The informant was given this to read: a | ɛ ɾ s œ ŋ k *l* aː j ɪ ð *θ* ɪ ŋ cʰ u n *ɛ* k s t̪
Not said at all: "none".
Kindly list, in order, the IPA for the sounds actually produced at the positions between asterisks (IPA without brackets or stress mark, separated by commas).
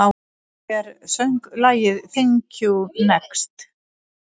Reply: l, θ, ɛ